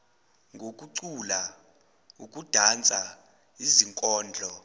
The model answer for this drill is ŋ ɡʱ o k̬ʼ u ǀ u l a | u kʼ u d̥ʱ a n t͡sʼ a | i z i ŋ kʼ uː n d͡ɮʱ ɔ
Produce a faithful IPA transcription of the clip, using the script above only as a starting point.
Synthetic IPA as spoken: ŋ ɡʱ o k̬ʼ u ǀ u l a | u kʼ u d̥ʱ a n t͡sʼ a | i z i ŋ kʼ ɔː n d͡ɮʱ ɔ